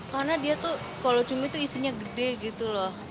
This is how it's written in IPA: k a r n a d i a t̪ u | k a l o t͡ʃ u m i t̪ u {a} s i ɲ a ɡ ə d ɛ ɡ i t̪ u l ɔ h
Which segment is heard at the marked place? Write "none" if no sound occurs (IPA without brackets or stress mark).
i